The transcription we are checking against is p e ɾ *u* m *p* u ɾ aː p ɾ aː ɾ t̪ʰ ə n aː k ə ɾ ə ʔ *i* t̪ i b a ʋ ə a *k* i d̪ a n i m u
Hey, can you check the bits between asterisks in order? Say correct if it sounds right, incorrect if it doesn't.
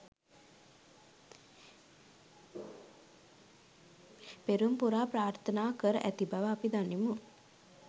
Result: correct, correct, incorrect: æ, incorrect: p

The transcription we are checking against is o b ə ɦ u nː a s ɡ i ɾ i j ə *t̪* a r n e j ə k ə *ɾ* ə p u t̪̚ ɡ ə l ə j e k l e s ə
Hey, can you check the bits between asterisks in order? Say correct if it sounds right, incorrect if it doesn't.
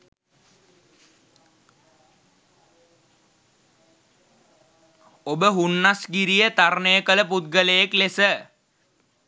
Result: correct, incorrect: l

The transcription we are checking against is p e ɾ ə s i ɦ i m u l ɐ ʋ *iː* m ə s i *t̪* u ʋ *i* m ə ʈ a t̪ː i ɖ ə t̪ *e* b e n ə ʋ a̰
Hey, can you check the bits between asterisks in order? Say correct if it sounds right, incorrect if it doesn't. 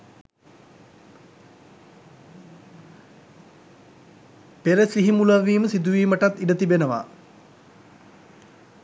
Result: correct, incorrect: d̪, incorrect: iː, incorrect: i

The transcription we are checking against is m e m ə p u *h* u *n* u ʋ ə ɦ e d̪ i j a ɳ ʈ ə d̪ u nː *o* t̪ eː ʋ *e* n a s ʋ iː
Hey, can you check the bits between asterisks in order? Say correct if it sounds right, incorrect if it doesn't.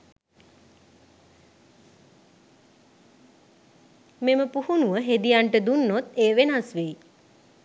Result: correct, correct, correct, correct

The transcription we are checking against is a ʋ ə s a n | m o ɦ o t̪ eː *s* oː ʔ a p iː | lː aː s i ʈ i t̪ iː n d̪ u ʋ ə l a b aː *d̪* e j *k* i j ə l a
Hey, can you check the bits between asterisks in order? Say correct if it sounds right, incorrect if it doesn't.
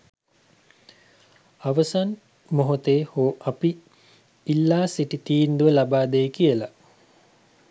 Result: incorrect: h, correct, correct

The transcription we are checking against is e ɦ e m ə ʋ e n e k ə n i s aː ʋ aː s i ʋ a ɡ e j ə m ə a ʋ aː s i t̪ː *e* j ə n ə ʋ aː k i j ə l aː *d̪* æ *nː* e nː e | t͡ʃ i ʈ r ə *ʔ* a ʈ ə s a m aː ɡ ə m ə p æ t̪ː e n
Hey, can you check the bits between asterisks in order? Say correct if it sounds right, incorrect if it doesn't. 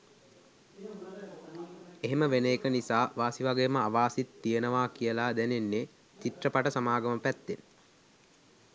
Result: incorrect: i, correct, incorrect: n, incorrect: p

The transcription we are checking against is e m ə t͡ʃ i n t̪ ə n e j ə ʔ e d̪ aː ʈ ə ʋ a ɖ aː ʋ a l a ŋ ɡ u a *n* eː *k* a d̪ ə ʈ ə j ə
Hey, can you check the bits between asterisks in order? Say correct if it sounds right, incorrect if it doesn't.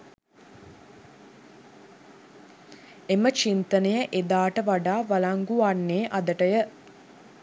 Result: incorrect: nː, incorrect: ʔ

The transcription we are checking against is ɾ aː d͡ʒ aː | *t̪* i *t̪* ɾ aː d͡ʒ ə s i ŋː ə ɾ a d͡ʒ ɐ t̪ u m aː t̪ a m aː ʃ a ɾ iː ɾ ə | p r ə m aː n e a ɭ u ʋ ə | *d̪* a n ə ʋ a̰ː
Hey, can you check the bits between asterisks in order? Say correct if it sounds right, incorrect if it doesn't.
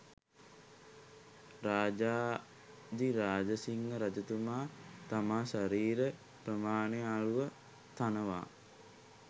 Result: incorrect: d̪, incorrect: none, incorrect: t̪

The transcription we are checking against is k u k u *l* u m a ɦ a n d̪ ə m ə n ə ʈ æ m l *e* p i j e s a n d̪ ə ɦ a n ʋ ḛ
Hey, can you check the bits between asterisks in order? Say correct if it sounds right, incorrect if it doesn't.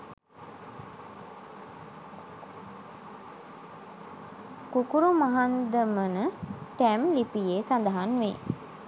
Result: incorrect: ɾ, incorrect: i

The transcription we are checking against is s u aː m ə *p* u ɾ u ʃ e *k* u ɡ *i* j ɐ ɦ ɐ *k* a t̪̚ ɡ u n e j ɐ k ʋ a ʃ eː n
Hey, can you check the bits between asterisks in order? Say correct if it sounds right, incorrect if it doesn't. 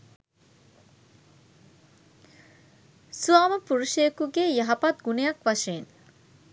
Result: correct, correct, incorrect: e, incorrect: p

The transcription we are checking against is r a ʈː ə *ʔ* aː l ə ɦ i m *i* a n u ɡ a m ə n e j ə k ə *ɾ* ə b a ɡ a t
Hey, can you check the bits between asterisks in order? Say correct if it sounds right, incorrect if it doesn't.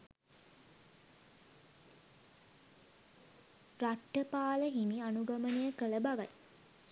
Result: incorrect: p, correct, incorrect: l

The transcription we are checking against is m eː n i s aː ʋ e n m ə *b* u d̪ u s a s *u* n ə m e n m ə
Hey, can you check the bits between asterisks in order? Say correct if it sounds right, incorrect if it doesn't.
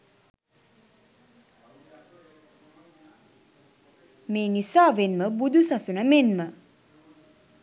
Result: correct, correct

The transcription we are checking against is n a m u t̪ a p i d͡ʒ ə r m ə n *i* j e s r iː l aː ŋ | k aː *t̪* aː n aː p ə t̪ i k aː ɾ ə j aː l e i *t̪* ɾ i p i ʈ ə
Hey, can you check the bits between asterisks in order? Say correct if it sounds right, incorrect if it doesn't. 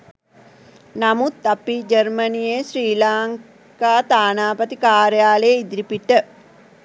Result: correct, correct, incorrect: d̪

